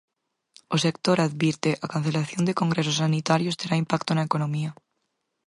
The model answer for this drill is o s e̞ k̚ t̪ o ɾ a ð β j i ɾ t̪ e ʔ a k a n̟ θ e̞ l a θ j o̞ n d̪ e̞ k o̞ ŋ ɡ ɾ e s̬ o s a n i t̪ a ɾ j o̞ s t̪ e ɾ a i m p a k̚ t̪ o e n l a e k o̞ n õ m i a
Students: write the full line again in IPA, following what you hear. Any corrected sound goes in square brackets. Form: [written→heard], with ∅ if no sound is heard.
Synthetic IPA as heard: o s e̞ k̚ t̪ o ɾ a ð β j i ɾ t̪ e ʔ a k a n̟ θ e̞ l a θ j o̞ n d̪ e̞ k o̞ ŋ ɡ ɾ e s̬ o s a n i t̪ a ɾ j o̞ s t̪ e ɾ a i m p a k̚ t̪ o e n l a e k o̞ n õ m i a